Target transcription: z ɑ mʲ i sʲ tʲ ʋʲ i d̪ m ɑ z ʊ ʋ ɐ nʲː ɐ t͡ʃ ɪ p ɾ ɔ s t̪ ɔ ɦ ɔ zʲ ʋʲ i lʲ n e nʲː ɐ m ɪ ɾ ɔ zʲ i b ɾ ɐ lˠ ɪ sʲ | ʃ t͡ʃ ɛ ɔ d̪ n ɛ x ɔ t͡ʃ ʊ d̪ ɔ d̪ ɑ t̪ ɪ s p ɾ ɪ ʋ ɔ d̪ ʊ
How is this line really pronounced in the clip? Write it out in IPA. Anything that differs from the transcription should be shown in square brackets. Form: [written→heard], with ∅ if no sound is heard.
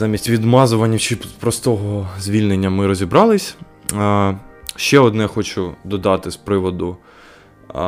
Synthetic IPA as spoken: z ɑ mʲ i sʲ tʲ ʋʲ i d̪ m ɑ z ʊ ʋ ɐ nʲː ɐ t͡ʃ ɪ p ɾ ɔ s t̪ ɔ ɦ ɔ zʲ ʋʲ i lʲ n e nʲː ɐ m ɪ ɾ ɔ zʲ i b ɾ [ɐ→ɑ] lˠ ɪ sʲ | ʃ t͡ʃ ɛ ɔ d̪ n ɛ x ɔ t͡ʃ ʊ d̪ ɔ d̪ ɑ t̪ ɪ s p ɾ ɪ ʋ ɔ d̪ ʊ